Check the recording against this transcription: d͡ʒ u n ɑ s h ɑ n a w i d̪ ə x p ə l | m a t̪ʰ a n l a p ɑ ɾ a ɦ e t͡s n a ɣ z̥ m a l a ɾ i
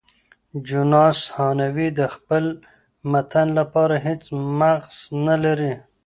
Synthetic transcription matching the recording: d͡ʒ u n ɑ s h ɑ n a w i d̪ ə x p ə l | m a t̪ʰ a n l a p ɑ ɾ a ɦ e t͡s m a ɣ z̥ n a l a ɾ i